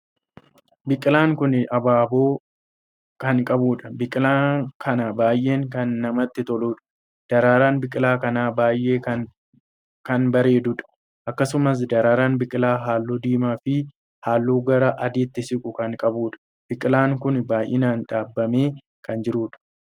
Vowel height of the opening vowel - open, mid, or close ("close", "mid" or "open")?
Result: close